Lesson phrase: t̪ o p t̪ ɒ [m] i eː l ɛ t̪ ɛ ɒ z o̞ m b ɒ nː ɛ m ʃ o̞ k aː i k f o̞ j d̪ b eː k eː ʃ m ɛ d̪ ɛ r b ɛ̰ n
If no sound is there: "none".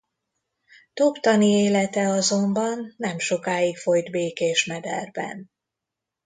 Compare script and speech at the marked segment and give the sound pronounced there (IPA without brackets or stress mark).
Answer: n